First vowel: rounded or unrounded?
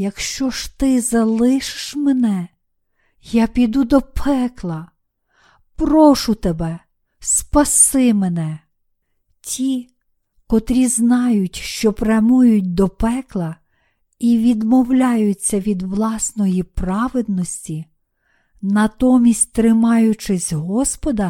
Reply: unrounded